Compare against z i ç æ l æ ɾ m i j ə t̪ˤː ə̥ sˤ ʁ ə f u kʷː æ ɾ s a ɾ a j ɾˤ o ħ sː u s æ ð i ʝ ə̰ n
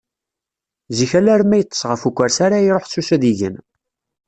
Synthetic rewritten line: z i ç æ l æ ɾ m æ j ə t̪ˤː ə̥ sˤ ʁ ə f u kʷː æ ɾ s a ɾ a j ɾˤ o ħ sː u s æ ð i ʝ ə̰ n